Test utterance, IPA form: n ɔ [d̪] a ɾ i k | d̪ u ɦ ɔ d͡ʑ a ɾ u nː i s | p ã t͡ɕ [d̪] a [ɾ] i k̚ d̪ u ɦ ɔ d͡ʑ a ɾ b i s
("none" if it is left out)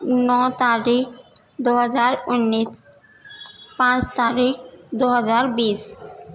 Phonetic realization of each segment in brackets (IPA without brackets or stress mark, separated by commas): t̪, t̪, ɾ